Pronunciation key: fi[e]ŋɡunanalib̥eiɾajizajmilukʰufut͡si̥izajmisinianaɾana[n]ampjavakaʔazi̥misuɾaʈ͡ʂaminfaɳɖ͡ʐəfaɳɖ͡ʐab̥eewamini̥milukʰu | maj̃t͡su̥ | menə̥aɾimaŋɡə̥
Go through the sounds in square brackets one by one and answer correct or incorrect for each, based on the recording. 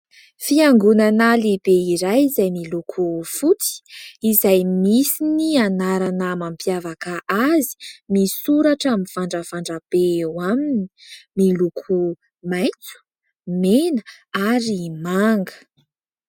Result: incorrect: a, incorrect: m

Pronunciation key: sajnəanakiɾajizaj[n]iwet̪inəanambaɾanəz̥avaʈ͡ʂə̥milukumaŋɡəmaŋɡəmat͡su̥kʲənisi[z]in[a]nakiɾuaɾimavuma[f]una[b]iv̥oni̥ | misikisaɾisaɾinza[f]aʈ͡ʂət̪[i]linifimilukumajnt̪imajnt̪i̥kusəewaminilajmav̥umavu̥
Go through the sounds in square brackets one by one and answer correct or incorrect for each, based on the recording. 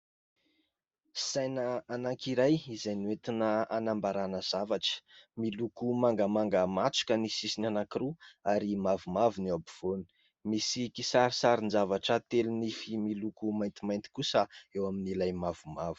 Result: correct, incorrect: s, correct, incorrect: v, correct, incorrect: v, incorrect: e

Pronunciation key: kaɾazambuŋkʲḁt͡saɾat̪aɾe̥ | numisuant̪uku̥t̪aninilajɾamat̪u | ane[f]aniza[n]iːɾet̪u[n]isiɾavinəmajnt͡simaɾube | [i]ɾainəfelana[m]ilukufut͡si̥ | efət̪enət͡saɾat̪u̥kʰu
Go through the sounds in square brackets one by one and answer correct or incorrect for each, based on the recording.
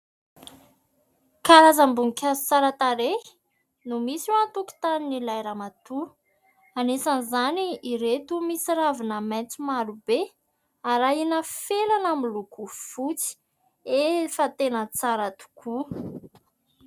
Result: incorrect: s, correct, incorrect: m, incorrect: a, correct

